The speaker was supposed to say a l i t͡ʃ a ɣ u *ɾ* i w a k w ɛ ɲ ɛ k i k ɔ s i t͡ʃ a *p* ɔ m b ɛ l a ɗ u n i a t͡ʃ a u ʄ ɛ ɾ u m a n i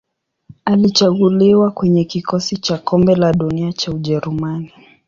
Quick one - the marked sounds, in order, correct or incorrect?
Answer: incorrect: l, incorrect: k

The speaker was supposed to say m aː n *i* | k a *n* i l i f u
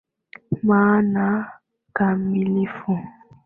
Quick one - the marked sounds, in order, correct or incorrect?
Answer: incorrect: a, incorrect: m

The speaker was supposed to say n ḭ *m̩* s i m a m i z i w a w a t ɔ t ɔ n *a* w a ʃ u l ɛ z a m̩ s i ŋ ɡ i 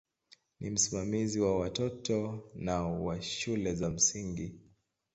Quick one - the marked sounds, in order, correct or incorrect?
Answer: correct, correct

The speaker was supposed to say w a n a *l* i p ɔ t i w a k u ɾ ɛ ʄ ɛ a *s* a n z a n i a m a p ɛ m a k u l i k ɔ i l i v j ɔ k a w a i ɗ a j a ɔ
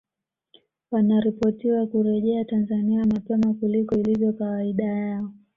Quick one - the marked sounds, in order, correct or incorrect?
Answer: incorrect: ɾ, incorrect: t

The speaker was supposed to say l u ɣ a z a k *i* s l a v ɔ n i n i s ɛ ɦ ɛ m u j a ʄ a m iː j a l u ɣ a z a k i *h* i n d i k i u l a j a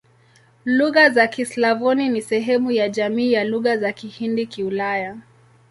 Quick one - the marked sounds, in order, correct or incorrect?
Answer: correct, correct

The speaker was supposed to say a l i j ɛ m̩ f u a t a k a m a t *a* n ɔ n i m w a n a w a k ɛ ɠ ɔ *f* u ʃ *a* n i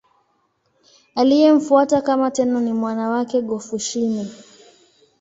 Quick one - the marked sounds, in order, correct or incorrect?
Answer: incorrect: ɛ, correct, incorrect: i

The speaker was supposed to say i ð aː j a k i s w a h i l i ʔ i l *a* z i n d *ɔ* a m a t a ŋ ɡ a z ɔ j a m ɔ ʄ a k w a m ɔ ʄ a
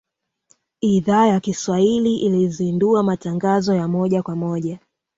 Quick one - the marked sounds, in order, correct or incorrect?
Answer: incorrect: i, incorrect: u

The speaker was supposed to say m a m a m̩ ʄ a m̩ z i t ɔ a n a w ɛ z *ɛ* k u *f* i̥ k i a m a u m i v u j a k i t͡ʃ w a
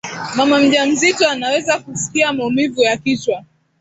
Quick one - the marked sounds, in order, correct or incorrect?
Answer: incorrect: a, incorrect: s

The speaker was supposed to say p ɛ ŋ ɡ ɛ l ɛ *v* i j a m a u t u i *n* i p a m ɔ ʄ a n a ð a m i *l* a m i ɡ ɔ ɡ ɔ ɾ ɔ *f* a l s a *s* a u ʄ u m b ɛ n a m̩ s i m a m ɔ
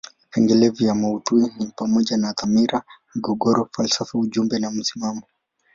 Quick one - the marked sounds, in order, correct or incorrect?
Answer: correct, correct, incorrect: ɾ, correct, incorrect: f

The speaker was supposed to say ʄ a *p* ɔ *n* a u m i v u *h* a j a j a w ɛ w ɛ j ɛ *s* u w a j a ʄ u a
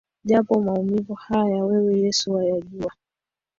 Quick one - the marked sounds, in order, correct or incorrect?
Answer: correct, incorrect: m, correct, correct

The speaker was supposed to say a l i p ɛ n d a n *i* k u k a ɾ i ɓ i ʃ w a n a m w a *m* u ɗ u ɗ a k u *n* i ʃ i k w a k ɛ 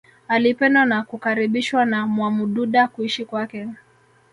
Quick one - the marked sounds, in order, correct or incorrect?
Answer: incorrect: a, correct, incorrect: none

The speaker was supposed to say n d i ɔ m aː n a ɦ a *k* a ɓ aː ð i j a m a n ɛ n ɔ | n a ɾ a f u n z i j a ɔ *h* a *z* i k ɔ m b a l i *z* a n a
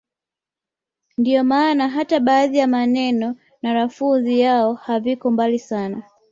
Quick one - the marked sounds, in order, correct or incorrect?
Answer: incorrect: t, correct, incorrect: v, incorrect: s

